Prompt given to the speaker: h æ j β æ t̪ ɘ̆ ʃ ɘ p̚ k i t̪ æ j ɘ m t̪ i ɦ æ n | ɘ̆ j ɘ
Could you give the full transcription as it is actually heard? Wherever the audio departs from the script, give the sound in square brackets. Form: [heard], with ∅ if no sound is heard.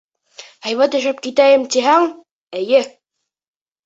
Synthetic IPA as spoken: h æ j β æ t̪ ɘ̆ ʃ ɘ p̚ k i t̪ æ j ɘ m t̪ i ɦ æ [ŋ] | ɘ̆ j ɘ